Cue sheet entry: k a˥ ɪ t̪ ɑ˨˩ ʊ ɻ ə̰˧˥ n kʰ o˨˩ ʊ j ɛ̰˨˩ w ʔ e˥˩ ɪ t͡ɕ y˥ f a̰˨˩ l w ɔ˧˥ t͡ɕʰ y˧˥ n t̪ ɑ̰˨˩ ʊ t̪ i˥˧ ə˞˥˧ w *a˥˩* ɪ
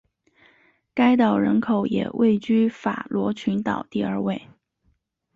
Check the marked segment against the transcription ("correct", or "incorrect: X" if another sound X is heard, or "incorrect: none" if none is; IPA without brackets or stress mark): incorrect: e˥˩